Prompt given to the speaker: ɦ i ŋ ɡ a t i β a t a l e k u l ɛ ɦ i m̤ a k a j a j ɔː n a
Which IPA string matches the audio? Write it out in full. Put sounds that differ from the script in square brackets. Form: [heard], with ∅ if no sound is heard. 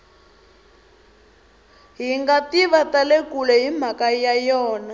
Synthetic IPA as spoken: ɦ i ŋ ɡ a t i β a t a l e k u l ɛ ɦ i m̤ a k a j a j ɔː n a